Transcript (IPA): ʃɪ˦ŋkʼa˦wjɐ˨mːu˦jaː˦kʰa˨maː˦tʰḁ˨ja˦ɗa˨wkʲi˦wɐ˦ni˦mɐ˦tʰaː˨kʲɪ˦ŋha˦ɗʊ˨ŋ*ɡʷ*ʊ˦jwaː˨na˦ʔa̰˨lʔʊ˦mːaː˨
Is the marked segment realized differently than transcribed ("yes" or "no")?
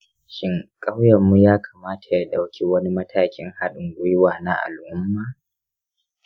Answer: no